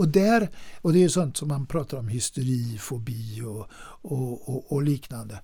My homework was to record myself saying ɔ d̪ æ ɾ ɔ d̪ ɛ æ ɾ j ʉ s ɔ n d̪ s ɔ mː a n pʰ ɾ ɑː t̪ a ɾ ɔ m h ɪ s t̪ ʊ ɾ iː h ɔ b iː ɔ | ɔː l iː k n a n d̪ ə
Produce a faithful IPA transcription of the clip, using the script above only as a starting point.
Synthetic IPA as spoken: ɔ d̪ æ ɾ ɔ d̪ ɛ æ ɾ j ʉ s ɔ n t̪ s ɔ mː a n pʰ ɾ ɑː t̪ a ɾ ɔ m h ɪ s t̪ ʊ ɾ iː f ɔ b iː ɔ | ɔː l iː k n a n d̪ ə